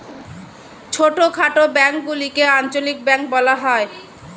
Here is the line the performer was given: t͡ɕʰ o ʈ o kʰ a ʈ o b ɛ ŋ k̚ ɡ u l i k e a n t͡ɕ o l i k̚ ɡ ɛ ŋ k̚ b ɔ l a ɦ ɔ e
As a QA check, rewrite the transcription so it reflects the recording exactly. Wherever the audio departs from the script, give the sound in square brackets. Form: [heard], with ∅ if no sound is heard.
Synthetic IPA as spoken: t͡ɕʰ o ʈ o kʰ a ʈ o b ɛ ŋ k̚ ɡ u l i k e a n t͡ɕ o l i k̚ [b] ɛ ŋ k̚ b ɔ l a ɦ ɔ e